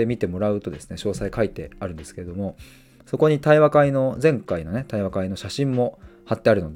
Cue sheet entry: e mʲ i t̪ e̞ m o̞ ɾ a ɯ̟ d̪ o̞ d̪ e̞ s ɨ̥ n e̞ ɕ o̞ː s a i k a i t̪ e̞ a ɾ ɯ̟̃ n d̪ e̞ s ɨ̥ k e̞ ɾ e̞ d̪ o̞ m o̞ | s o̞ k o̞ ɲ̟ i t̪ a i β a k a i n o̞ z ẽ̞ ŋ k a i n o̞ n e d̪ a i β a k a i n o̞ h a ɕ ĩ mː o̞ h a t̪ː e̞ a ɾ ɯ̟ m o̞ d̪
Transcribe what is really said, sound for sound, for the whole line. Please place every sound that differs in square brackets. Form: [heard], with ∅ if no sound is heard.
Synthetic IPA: e mʲ i t̪ e̞ m o̞ ɾ a ɯ̟ [t̪] o̞ d̪ e̞ s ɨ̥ n e̞ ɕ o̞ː s a i k a i t̪ e̞ a ɾ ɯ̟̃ n d̪ e̞ s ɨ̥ k e̞ ɾ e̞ d̪ o̞ m o̞ | s o̞ k o̞ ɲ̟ i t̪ a i β a k a i n o̞ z ẽ̞ ŋ k a i n o̞ n e [t̪] a i β a k a i n o̞ [ɕ] a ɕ ĩ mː o̞ h a t̪ː e̞ a ɾ ɯ̟ [n] o̞ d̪